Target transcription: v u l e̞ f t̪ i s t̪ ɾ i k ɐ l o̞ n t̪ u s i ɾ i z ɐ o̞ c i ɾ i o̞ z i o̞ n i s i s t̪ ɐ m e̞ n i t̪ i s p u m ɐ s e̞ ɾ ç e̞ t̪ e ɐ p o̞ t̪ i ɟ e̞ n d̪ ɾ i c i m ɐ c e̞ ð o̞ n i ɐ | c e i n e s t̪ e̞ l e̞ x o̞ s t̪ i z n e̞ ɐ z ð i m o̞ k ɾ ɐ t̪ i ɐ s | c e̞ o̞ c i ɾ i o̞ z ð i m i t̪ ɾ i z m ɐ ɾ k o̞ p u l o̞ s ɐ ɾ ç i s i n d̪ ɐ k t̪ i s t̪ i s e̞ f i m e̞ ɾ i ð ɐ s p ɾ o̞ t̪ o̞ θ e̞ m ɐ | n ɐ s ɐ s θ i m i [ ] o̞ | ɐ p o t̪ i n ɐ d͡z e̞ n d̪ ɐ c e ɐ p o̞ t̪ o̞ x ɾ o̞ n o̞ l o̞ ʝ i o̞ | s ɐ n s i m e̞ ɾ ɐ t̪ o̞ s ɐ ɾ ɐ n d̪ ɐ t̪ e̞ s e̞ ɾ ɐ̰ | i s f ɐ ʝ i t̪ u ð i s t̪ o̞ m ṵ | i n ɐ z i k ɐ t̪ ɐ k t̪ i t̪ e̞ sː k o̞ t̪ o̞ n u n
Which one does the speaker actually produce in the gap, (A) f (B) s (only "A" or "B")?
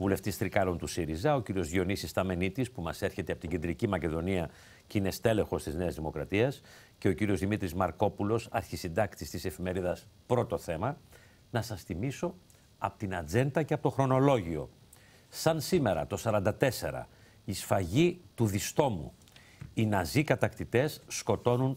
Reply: B